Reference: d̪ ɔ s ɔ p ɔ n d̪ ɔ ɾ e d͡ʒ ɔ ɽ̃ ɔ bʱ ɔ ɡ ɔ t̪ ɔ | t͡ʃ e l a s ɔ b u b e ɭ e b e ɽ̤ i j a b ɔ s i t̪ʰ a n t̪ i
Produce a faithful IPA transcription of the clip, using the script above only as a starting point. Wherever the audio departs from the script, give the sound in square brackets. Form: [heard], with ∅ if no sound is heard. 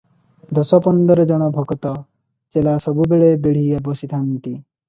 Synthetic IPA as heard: d̪ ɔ s ɔ p ɔ n d̪ ɔ ɾ e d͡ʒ ɔ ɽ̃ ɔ bʱ ɔ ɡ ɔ t̪ ɔ | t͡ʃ e l a s ɔ b u b e ɭ e b e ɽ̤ i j a b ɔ s i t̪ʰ a n t̪ i